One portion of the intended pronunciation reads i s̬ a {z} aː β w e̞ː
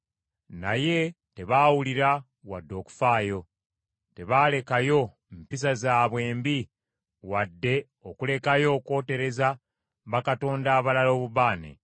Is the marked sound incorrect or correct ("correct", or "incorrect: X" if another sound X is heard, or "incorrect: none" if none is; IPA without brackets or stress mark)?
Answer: correct